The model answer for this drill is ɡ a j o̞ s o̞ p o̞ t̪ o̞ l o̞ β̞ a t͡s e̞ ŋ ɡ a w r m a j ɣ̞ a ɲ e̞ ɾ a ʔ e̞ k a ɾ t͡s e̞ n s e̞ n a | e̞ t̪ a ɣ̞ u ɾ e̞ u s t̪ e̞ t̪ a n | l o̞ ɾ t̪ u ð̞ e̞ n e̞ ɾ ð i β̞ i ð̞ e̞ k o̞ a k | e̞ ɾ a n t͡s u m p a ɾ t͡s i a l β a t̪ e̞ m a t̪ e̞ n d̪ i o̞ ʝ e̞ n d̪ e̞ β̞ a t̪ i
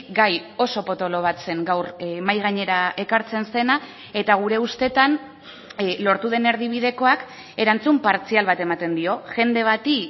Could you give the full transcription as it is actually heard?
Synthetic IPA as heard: ɡ a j o̞ s o̞ p o̞ t̪ o̞ l o̞ β̞ a t͡s e̞ ŋ ɡ a w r m a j ɣ̞ a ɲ e̞ ɾ a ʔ e̞ k a ɾ t͡s e̞ n s e̞ n a | e̞ t̪ a ɣ̞ u ɾ e̞ u s t̪ e̞ t̪ a n | l o̞ ɾ t̪ u ð̞ e̞ n e̞ ɾ ð i β̞ i ð̞ e̞ k o̞ a k | e̞ ɾ a n t͡s u m p a ɾ t͡s i a l β a t̪ e̞ m a t̪ e̞ n d̪ i o̞ ʝ e̞ n d̪ e̞ β̞ a t̪ i